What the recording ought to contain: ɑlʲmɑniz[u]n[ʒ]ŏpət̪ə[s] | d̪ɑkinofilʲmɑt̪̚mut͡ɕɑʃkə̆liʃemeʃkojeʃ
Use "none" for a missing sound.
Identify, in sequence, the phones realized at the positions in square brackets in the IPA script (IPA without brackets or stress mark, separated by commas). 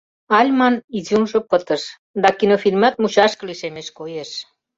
u, ʒ, ʃ